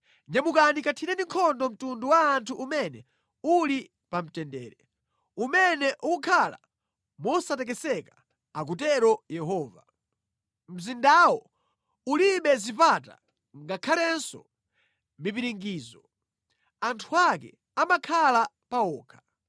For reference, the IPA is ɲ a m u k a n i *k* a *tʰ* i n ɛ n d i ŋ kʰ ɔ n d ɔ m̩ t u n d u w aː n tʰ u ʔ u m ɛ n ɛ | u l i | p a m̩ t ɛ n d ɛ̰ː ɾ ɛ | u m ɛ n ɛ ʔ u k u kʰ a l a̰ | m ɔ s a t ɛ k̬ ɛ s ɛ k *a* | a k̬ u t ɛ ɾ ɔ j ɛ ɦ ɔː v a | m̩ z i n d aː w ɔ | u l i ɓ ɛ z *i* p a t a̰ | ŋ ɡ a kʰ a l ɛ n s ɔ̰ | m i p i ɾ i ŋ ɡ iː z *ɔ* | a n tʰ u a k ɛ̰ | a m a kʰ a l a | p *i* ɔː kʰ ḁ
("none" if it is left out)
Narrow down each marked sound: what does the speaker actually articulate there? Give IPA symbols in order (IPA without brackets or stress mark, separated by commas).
k, tʰ, a, i, ɔ, a